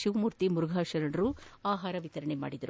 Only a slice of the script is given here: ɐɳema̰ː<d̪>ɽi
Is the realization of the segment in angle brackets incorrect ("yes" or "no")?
yes